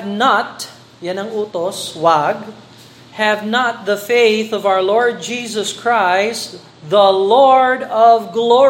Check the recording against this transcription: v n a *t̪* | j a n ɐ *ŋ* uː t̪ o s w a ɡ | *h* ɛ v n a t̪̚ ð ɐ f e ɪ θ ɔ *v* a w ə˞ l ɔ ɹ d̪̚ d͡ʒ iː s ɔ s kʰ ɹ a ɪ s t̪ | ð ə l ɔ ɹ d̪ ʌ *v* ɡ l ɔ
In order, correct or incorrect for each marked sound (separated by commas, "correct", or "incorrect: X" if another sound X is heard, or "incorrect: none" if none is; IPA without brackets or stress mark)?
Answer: correct, correct, correct, correct, correct